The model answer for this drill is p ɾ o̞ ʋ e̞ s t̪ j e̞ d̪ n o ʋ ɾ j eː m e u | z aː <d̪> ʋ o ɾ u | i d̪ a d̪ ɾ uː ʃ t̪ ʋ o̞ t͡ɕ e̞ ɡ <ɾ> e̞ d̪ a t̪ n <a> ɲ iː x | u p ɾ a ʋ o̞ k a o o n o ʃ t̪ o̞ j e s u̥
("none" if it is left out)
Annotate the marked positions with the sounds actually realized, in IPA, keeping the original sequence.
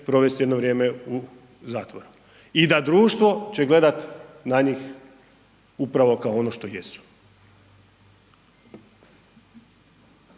t̪, l, a

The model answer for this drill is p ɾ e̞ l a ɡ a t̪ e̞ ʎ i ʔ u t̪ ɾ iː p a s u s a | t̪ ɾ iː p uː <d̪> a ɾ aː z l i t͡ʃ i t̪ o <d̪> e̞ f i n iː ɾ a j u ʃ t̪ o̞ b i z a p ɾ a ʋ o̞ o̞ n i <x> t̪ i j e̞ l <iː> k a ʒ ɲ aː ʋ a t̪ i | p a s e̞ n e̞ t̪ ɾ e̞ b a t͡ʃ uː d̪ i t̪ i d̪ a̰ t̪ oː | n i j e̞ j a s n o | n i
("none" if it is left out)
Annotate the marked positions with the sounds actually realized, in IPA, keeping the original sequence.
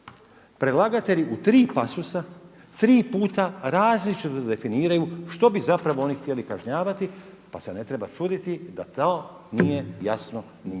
t̪, d̪, x, i

